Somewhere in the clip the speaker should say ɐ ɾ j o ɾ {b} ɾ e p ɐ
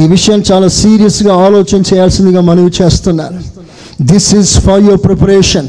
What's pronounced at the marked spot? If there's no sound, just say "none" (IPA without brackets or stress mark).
p